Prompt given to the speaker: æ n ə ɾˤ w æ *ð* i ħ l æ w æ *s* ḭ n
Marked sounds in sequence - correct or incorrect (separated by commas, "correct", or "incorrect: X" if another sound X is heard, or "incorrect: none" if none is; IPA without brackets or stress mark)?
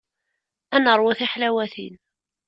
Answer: incorrect: θ, incorrect: θ